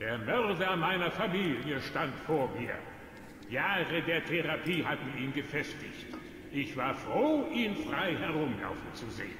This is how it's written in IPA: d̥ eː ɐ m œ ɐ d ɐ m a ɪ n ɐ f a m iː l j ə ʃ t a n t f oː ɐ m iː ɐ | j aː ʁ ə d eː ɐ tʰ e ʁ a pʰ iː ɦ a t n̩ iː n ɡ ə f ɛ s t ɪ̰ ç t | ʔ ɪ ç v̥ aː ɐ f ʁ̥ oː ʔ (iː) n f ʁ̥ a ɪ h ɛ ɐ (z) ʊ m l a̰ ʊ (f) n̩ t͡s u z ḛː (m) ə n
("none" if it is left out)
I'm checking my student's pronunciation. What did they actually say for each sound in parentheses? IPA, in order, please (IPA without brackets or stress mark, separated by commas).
iː, ʁ, f, none